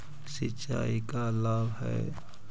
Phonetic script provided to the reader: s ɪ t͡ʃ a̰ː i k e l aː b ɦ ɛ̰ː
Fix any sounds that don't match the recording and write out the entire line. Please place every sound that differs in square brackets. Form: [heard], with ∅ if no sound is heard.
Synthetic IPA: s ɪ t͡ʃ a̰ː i k [a] l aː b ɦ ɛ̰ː